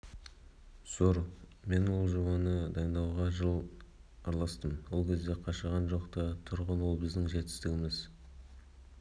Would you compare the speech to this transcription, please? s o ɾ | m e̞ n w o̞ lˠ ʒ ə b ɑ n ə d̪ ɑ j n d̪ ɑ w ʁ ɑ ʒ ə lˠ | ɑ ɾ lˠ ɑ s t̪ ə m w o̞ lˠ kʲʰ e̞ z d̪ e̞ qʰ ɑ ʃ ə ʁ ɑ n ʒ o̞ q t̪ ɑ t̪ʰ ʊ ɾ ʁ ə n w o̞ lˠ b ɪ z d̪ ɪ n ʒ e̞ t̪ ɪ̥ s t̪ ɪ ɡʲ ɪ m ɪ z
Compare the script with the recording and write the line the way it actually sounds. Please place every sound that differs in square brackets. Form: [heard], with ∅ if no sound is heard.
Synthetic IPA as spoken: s o ɾ | m e̞ n w o̞ lˠ ʒ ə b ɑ n ə d̪ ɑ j n d̪ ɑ w ʁ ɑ ʒ ə lˠ | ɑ ɾ lˠ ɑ s t̪ ə m w o̞ lˠ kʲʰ e̞ z d̪ e̞ qʰ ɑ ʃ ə ʁ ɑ n ʒ o̞ q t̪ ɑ t̪ʰ ʊ ɾ ʁ ə n w o̞ lˠ b ɪ z d̪ ɪ [ŋ] ʒ e̞ t̪ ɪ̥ s t̪ ɪ ɡʲ ɪ m ɪ z